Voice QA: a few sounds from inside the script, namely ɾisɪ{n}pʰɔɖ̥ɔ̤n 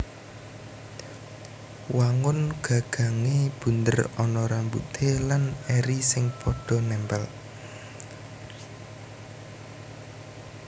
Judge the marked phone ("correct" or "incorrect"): incorrect